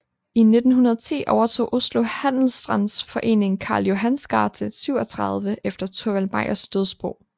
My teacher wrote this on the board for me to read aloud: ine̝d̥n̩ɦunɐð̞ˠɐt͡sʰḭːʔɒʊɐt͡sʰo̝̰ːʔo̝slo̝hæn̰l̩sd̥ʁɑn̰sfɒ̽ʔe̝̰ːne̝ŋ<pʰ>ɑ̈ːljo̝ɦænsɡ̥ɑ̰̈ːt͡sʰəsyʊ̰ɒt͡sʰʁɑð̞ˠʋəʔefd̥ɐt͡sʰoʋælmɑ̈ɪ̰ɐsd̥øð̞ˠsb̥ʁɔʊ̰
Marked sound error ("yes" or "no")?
yes